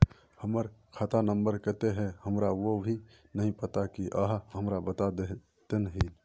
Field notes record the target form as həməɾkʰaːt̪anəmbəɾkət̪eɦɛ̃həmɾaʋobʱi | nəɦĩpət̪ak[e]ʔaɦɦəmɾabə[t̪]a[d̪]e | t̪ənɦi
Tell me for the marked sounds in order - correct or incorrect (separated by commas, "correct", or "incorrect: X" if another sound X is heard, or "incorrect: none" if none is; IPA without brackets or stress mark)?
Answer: incorrect: i, correct, correct